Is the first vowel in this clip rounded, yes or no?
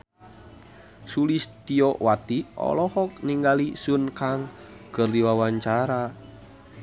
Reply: yes